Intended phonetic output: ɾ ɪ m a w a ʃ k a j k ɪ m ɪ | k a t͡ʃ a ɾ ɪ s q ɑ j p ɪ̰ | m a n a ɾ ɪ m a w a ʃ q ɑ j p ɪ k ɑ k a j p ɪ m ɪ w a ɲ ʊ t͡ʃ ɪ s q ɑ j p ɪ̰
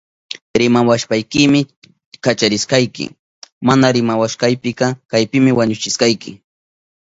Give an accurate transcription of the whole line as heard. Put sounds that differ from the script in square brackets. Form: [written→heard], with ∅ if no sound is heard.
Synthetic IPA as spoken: ɾ ɪ m a w a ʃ [k→p] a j k ɪ m ɪ | k a t͡ʃ a ɾ ɪ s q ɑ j [p→k] ɪ̰ | m a n a ɾ ɪ m a w a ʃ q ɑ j p ɪ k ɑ k a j p ɪ m ɪ w a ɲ ʊ t͡ʃ ɪ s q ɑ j [p→k] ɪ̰

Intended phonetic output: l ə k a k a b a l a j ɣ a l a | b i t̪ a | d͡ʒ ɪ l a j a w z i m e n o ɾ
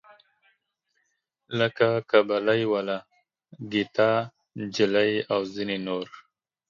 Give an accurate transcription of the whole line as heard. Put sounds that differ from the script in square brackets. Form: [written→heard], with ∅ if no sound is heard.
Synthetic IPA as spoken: l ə k a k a b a l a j [ɣ→w] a l a | [b→ɡ] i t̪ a | d͡ʒ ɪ l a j a w z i [m→n] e n o ɾ

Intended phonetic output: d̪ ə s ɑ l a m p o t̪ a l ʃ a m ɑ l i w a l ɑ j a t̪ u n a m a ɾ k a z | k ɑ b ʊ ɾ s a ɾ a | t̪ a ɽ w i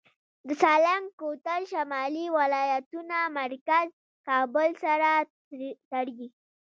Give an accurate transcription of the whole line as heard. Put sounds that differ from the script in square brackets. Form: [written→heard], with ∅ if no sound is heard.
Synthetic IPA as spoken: d̪ ə s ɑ l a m [p→k] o t̪ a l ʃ a m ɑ l i w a l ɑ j a t̪ u n a m a ɾ k a z | k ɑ b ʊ [ɾ→l] s a ɾ a | t̪ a ɽ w i

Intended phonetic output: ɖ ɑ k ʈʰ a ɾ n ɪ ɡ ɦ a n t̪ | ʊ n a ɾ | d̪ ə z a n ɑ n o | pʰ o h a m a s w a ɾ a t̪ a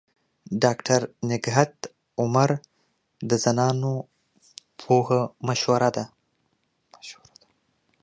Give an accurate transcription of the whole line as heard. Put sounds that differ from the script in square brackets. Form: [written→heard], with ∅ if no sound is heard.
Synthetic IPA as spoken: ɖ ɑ k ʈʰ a ɾ n ɪ ɡ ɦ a [n→∅] t̪ | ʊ [n→m] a ɾ | d̪ ə z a n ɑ n o | pʰ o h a m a [s→ʃ] w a ɾ a [t̪→d̪] a

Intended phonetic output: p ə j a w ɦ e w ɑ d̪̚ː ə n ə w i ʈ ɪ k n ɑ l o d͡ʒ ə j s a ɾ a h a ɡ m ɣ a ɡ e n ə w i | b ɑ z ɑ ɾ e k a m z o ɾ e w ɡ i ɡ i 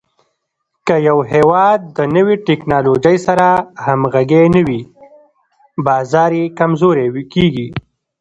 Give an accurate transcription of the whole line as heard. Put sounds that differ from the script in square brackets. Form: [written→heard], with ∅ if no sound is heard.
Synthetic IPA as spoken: [p→k] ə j a w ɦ e w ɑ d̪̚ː ə n ə w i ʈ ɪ k n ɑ l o d͡ʒ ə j s a ɾ a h a [ɡ→∅] m ɣ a ɡ e n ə w i | b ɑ z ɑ ɾ e k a m z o ɾ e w [ɡ→k] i ɡ i

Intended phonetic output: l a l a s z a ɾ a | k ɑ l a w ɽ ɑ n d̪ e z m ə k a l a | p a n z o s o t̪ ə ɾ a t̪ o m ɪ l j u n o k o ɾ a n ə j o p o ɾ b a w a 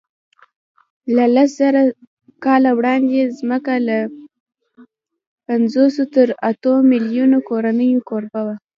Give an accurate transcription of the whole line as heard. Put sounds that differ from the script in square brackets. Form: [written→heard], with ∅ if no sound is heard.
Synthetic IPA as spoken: l a l a s z a ɾ a | k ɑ l a w ɽ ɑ n d̪ e z m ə k a l a | p a n z o s o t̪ ə ɾ a t̪ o m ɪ l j u n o k o ɾ a n ə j o [p→k] o ɾ b a w a

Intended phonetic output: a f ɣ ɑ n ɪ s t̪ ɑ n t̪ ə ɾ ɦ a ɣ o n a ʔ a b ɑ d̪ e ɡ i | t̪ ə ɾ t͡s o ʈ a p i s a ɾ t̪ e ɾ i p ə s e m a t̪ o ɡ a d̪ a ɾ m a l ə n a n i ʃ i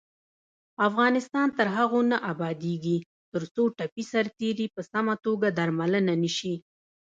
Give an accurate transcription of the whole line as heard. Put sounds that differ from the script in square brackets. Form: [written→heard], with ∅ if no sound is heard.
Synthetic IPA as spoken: a f ɣ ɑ n ɪ s t̪ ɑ n t̪ ə ɾ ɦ a ɣ o n a ʔ a b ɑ d̪ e ɡ i | t̪ ə ɾ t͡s o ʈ a p i s a ɾ t̪ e ɾ i p ə s [e→a] m a t̪ o ɡ a d̪ a ɾ m a l ə n a n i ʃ i

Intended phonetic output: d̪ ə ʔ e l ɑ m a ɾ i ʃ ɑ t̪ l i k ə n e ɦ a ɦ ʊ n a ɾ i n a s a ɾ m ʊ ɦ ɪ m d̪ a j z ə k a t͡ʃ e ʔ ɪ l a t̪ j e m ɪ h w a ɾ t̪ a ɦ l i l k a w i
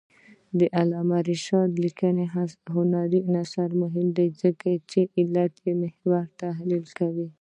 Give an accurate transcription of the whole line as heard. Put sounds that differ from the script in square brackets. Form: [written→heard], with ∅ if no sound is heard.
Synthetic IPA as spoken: d̪ ə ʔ [e→a] l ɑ m a ɾ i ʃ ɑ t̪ l i k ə n e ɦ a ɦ ʊ n a ɾ i n a s a ɾ m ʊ ɦ ɪ m d̪ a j z ə k a t͡ʃ e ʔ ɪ l a t̪ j e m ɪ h w a ɾ t̪ a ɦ l i l k a w i

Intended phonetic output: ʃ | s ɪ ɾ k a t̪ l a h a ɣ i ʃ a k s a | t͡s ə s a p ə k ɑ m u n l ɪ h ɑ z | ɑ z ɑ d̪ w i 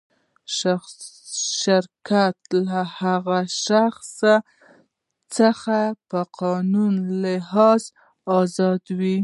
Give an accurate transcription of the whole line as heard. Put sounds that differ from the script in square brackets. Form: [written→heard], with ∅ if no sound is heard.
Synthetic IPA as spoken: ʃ | [s→ʃ] ɪ ɾ k a t̪ l a h a ɣ [i→a] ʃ a [k→x] s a | t͡s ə [s→x] a p ə [k→q] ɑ [m→n] u n l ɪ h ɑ z | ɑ z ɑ d̪ w i

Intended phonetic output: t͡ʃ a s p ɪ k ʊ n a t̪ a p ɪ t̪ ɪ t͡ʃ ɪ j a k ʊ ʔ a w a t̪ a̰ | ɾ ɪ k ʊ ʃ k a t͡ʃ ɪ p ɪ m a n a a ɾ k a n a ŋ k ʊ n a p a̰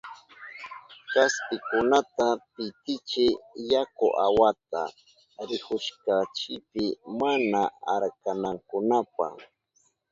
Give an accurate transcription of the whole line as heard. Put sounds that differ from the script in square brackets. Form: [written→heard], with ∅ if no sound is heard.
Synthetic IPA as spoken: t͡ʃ a s p ɪ k ʊ n a t̪ a p ɪ t̪ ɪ t͡ʃ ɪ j a k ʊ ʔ a w a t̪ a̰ | ɾ ɪ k ʊ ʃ k a t͡ʃ ɪ p ɪ m a n a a ɾ k a n a ŋ k ʊ n a p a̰

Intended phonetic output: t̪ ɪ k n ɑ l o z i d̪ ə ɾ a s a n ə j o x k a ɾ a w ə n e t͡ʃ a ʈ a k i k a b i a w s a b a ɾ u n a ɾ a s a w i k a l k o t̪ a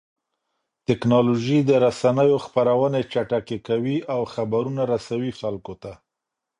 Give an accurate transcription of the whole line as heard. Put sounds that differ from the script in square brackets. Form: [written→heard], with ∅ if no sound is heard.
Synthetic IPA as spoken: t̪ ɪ k n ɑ l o [z→ʒ] i d̪ ə ɾ a s a n ə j o x [k→p] a ɾ a w ə n e t͡ʃ a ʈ a k [i→e] k a [b→w] i a w [s→x] a b a ɾ u n a ɾ a s a w i [k→x] a l k o t̪ a

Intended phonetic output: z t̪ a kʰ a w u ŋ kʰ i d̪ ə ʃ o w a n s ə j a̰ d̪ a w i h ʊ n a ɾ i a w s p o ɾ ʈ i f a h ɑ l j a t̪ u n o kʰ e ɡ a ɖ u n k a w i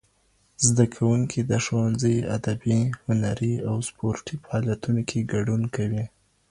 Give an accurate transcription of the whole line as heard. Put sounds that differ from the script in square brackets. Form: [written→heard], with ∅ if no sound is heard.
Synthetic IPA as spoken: z [t̪→d̪] a kʰ a w u ŋ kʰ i d̪ ə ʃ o w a n [s→z] ə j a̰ d̪ a [w→b] i h ʊ n a ɾ i a w s p o ɾ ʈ i f a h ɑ l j a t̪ u n o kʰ e ɡ a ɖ u n k a w i

